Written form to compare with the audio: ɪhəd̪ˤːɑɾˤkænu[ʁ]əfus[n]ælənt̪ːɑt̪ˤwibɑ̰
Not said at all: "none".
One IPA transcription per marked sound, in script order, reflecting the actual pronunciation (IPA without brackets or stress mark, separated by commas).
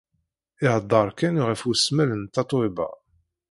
ʁ, m